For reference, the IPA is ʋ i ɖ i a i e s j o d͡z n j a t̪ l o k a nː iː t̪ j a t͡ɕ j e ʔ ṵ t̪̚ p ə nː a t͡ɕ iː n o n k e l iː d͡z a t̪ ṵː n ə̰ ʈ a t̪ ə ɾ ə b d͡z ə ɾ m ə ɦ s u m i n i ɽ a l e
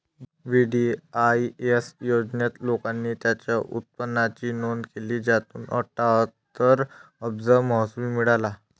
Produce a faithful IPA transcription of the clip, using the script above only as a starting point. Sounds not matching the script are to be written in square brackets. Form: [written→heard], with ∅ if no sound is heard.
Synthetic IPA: ʋ i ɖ i a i e s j o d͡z n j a t̪ l o k a nː iː t̪ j a t͡ɕ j [e→a] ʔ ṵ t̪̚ p ə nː a t͡ɕ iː n o n k e l iː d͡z a t̪ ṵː n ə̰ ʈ a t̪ ə ɾ ə b d͡z ə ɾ m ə ɦ s u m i [n→m] i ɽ a l [e→a]

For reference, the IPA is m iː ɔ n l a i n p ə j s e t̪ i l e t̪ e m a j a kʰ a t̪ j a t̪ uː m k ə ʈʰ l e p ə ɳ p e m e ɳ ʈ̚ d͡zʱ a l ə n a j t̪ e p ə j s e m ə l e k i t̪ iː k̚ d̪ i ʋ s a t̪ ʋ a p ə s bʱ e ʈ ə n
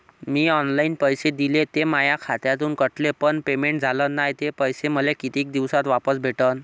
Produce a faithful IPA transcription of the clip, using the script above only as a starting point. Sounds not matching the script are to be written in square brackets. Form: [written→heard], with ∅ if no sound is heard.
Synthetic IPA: m iː ɔ n l a i n p ə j s e [t̪→d̪] i l e t̪ e m a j a kʰ a t̪ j a t̪ uː [m→n] k ə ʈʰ l e p ə ɳ p e m e ɳ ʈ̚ d͡zʱ a l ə n a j t̪ e p ə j s e m ə l e k i t̪ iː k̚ d̪ i ʋ s a t̪ ʋ a p ə s bʱ e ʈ ə n

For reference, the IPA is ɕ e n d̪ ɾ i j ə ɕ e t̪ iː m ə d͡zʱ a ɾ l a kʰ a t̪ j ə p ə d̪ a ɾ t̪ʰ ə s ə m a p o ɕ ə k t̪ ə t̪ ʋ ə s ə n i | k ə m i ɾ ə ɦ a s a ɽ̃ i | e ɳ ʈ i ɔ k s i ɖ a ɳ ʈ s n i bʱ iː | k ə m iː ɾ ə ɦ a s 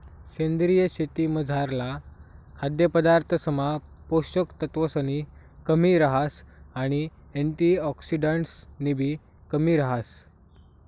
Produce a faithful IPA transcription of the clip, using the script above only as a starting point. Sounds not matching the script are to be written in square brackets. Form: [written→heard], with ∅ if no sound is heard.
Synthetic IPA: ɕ e n d̪ ɾ i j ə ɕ e t̪ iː m ə d͡zʱ a ɾ l a kʰ a [t̪→d̪] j ə p ə d̪ a ɾ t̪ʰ ə s ə m a p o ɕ ə k t̪ ə t̪ ʋ ə s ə n i | k ə m i ɾ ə ɦ a s a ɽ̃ i | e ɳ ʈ i ɔ k s i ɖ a ɳ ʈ s n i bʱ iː | k ə m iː ɾ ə ɦ a s

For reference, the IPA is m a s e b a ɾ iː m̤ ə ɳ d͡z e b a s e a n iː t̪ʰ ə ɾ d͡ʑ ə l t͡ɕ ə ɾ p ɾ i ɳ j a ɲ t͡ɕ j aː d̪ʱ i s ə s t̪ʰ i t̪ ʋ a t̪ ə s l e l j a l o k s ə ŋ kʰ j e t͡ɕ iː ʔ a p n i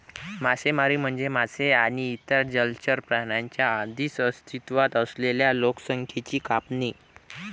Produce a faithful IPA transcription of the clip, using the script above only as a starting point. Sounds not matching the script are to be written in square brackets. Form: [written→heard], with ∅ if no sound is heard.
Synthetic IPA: m a s e [b→m] a ɾ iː m̤ ə ɳ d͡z e [b→m] a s e a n iː [t̪ʰ→t̪] ə ɾ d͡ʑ ə l t͡ɕ ə ɾ p ɾ [i→a] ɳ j a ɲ t͡ɕ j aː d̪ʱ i s ə s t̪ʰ i t̪ ʋ a t̪ ə s l e l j a l o k s ə ŋ kʰ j e t͡ɕ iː [ʔ→k] a p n i

